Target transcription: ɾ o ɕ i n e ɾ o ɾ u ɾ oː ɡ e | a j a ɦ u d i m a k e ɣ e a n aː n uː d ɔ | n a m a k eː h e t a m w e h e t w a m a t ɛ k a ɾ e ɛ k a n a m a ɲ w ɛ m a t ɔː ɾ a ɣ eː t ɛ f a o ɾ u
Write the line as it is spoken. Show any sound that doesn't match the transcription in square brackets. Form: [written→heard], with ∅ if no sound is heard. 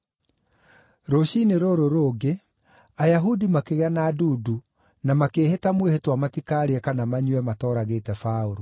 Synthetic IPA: ɾ o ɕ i n e ɾ o ɾ [u→o] ɾ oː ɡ e | a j a ɦ u d i m a k e ɣ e a n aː [n→d] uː d [ɔ→u] | n a m a k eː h e t a m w e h e t w a m a t [ɛ→i] k a ɾ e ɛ k a n a m a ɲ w ɛ m a t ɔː ɾ a ɣ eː t ɛ f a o ɾ [u→o]